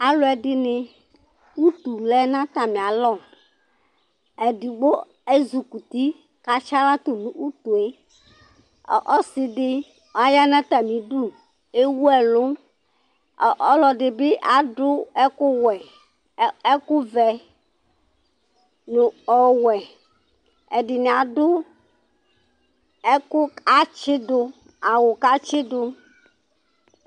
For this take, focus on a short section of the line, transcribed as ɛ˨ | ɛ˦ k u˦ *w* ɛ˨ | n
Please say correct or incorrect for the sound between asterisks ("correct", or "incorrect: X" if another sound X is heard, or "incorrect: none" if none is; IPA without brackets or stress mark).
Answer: incorrect: v